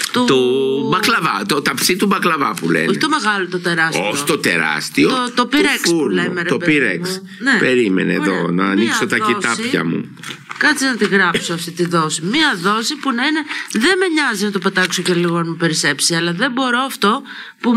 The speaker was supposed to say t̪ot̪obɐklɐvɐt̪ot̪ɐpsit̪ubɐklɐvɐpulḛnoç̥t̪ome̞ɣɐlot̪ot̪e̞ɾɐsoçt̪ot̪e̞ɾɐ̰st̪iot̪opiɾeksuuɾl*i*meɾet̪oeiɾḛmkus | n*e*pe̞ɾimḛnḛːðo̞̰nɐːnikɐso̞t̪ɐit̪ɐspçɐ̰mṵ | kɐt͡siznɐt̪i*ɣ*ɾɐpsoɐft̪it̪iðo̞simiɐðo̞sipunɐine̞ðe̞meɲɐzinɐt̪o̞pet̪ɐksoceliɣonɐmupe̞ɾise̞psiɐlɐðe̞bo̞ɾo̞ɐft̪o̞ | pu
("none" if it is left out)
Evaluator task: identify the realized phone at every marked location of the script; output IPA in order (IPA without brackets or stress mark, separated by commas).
e, e, ɣ